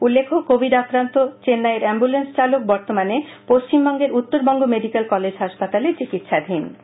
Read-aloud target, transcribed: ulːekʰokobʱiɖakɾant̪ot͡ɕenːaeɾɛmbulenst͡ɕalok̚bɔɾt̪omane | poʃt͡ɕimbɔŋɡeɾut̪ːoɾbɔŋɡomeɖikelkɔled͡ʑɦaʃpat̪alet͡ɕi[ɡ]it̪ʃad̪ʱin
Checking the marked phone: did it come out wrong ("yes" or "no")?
yes